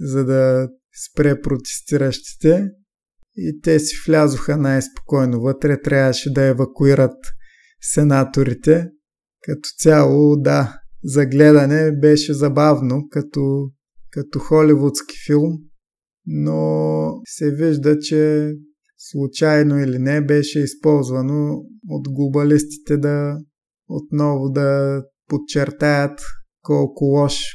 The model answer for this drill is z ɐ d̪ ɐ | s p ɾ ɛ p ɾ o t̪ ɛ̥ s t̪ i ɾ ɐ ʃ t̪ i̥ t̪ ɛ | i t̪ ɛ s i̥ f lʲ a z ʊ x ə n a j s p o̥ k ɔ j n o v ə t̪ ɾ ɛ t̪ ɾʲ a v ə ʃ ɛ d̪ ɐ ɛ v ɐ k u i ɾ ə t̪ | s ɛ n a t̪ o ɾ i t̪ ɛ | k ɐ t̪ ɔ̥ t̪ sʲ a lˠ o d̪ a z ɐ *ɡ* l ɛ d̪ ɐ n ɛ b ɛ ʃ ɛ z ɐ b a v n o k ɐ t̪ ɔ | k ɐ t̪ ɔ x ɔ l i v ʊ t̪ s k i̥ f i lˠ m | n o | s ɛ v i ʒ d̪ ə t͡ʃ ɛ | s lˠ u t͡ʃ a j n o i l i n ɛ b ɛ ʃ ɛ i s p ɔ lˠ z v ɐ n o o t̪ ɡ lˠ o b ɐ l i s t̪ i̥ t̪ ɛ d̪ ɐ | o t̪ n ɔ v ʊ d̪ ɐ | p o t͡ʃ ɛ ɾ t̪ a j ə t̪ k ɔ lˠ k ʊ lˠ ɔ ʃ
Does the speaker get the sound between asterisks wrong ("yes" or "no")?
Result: no